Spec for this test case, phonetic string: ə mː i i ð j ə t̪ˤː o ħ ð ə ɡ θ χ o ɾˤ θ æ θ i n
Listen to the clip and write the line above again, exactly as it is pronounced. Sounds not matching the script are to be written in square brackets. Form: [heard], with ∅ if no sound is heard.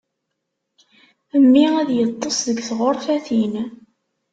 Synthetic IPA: ə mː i [æ] ð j ə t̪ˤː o [s] ð ə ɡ θ [ʁ] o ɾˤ θ æ θ i n